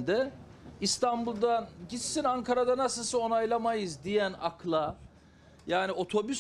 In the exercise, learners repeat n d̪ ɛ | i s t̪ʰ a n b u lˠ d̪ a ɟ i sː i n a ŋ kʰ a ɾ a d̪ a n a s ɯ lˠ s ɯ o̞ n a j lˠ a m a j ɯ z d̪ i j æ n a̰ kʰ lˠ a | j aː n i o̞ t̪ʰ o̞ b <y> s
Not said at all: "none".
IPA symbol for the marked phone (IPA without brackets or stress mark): y